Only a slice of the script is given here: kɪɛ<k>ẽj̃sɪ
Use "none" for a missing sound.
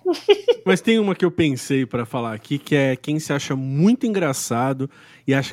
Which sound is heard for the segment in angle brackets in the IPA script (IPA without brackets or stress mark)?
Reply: k